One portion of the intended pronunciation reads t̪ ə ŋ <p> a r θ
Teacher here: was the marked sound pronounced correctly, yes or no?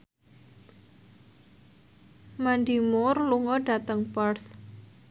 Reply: yes